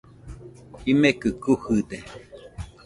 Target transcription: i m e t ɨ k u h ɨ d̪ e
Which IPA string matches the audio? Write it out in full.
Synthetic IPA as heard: i m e k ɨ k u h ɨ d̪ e